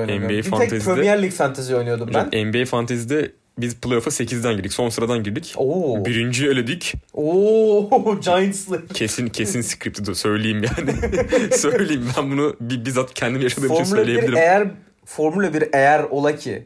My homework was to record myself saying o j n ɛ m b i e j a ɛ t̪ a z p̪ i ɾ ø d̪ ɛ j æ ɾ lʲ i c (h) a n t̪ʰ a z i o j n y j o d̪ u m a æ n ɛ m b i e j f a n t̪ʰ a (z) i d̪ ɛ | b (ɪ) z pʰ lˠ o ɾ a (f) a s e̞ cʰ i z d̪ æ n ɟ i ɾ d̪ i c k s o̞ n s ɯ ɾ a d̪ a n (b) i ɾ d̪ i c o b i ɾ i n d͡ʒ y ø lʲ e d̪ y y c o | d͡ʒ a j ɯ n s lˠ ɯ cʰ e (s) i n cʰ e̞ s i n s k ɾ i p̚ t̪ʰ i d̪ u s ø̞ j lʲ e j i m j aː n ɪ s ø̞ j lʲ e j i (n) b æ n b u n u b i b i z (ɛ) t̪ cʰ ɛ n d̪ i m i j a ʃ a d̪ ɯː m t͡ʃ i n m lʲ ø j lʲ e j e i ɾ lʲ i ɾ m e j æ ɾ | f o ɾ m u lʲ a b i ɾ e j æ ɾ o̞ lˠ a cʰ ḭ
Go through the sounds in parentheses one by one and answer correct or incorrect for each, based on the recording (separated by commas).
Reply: incorrect, correct, incorrect, correct, incorrect, correct, incorrect, incorrect